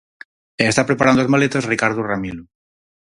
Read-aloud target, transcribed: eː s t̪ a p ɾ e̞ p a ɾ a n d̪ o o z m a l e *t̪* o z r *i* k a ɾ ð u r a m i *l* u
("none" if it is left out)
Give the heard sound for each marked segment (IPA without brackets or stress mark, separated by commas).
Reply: t̪, i, l